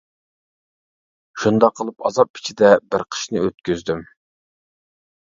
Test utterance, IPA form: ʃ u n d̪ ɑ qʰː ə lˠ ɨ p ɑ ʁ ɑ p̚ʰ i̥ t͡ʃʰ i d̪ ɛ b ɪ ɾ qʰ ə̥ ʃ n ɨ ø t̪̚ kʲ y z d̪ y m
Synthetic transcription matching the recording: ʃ u n d̪ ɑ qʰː ə lˠ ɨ p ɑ z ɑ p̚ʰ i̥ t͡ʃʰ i d̪ ɛ b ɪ ɾ qʰ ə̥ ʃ n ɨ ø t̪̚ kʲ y z d̪ y m